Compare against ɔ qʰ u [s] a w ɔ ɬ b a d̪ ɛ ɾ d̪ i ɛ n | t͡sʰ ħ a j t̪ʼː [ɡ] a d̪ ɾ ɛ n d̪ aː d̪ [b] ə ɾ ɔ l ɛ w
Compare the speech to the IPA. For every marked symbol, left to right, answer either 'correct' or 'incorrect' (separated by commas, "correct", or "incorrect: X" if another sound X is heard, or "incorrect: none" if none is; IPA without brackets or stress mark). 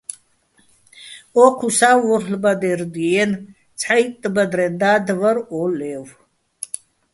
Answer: correct, incorrect: b, incorrect: v